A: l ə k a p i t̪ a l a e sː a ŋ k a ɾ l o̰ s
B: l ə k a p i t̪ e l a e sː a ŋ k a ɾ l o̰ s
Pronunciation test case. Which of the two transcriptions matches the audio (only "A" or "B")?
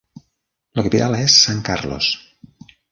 A